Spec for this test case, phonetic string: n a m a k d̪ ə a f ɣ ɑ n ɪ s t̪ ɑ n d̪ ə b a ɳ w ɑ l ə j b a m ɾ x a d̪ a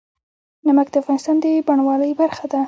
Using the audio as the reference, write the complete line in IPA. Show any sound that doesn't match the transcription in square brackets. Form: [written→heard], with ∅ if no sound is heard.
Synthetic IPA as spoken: n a m a k d̪ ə a f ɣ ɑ n ɪ s t̪ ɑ n d̪ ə b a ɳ w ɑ l ə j b a [m→∅] ɾ x a d̪ a